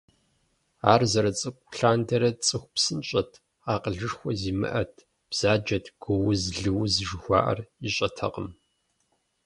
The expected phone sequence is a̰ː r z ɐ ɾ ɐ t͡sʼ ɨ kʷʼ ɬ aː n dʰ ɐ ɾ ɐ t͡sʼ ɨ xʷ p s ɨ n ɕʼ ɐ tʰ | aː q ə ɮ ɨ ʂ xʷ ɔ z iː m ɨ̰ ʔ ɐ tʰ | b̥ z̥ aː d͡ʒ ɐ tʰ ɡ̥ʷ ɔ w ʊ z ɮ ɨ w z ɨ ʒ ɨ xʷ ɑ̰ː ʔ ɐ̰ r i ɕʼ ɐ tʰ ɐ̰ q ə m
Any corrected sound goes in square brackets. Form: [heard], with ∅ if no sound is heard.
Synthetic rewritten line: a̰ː r z ɐ ɾ ɐ t͡sʼ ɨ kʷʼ ɬ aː n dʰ ɐ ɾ ɐ t͡sʼ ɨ xʷ p s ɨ n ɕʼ ɐ tʰ | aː q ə ɮ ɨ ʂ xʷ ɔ z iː m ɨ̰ ʔ ɐ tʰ | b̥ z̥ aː d͡ʒ ɐ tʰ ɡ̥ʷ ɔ w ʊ z ɮ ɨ w z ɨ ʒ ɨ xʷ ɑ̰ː ʔ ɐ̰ r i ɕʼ ɐ tʰ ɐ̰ q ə m